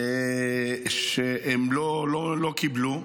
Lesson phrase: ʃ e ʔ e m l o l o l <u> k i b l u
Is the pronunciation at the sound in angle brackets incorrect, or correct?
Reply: incorrect